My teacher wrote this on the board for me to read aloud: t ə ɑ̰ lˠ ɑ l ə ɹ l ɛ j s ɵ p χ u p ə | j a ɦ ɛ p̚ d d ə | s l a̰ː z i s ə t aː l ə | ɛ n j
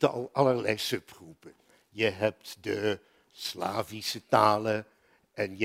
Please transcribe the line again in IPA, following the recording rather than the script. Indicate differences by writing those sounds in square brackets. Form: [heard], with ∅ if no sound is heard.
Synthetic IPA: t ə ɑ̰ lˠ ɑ l ə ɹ l ɛ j s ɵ p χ u p ə | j [ə] ɦ ɛ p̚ [t] d ə | s l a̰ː [v] i s ə t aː l ə | ɛ n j